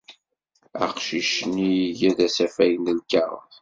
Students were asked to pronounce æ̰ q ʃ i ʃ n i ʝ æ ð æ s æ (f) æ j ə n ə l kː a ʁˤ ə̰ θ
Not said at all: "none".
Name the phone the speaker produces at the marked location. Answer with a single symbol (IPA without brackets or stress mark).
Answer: f